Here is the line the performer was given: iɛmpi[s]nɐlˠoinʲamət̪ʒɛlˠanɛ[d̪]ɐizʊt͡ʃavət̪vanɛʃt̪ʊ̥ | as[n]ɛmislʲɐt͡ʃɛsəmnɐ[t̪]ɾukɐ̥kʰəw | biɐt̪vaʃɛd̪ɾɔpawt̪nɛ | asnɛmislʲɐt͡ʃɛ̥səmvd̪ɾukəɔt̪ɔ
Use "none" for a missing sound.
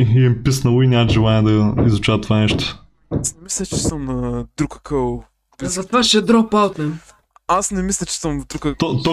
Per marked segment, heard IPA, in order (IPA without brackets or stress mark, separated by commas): s, d̪, n, d̪